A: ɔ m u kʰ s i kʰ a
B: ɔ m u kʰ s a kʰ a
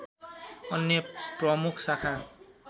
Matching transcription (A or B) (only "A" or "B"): B